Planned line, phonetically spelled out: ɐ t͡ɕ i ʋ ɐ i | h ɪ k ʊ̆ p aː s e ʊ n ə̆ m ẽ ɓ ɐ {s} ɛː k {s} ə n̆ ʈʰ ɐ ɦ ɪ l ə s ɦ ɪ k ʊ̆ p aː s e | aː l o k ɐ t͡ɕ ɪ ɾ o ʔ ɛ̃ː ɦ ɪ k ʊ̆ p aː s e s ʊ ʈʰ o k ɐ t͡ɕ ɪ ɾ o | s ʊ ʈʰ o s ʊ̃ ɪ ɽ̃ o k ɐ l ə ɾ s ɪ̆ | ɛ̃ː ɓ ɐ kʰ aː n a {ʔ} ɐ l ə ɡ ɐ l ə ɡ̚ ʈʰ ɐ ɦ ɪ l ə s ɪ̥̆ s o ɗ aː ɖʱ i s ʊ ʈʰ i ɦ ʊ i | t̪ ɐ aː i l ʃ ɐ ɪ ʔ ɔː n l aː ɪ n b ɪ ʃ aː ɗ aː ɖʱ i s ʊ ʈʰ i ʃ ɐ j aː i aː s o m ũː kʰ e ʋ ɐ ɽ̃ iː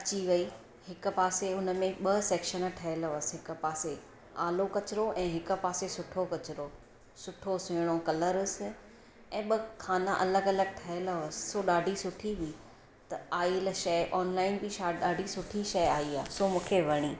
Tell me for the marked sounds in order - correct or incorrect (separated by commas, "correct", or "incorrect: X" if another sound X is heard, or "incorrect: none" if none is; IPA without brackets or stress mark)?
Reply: correct, incorrect: ʃ, correct